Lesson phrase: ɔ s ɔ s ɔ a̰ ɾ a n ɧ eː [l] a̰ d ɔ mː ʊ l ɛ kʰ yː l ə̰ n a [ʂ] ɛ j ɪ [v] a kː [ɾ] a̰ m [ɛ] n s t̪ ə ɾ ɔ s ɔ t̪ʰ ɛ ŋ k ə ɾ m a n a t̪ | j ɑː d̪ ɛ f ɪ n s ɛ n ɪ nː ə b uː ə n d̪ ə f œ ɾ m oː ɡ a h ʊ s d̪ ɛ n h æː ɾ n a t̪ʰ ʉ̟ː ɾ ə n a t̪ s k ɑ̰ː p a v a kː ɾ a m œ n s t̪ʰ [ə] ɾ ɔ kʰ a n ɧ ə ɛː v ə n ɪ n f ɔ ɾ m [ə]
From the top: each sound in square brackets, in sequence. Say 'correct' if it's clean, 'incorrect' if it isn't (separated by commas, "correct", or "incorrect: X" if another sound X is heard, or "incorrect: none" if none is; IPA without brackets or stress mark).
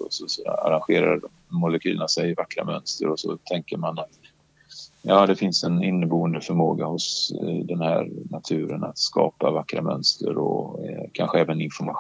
incorrect: ɾ, incorrect: s, correct, correct, incorrect: œ, correct, incorrect: a